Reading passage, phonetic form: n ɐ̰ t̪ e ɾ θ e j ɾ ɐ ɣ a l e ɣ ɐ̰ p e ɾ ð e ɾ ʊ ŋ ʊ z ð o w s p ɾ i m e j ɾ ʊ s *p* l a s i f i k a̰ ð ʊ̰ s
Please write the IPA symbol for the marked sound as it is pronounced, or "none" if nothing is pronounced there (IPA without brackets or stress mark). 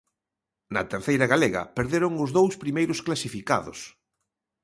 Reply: k